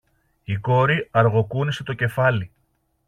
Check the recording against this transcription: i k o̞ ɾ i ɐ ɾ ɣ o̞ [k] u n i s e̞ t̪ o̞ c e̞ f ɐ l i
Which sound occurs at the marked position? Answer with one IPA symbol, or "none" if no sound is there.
k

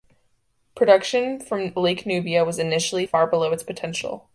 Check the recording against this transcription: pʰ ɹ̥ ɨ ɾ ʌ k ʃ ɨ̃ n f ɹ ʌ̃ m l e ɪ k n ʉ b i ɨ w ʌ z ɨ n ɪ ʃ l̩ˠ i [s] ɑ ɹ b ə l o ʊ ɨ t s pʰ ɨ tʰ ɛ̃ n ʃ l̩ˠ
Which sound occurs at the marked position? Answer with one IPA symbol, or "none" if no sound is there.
f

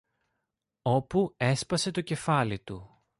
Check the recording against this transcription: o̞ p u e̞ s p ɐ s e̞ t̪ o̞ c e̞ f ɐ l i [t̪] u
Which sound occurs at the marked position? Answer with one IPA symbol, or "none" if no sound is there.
t̪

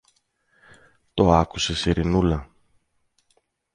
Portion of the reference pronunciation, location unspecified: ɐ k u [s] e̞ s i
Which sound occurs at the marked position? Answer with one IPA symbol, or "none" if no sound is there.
s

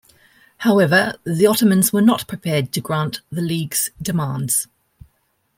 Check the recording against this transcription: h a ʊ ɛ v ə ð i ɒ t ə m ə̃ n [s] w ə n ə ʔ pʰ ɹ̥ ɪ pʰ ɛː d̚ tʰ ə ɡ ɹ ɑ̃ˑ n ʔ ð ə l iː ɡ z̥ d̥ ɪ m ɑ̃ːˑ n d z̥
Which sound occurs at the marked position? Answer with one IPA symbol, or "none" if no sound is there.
z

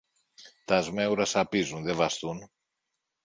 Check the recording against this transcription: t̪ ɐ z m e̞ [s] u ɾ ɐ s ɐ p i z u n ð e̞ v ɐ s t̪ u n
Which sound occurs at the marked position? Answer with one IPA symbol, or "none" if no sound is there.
none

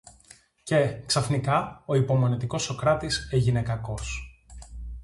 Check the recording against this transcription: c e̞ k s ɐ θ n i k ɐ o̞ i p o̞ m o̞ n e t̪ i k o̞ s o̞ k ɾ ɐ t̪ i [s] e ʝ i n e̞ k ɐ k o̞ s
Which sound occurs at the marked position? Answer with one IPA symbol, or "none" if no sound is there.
s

